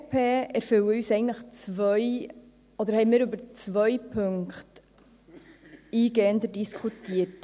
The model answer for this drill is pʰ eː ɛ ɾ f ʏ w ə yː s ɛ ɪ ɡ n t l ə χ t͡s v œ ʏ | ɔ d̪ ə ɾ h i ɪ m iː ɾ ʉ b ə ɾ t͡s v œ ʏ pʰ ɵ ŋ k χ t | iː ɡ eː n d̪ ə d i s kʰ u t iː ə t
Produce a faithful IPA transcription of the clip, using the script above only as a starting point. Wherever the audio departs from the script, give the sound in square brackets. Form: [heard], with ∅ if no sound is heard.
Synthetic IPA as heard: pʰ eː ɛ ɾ f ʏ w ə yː s ɛ ɪ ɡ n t l ə χ t͡s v œ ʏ | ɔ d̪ ə ɾ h [ɛ] ɪ m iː ɾ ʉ b ə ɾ t͡s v œ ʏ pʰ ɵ ŋ k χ t | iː ɡ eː n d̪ ə d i s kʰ u t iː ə t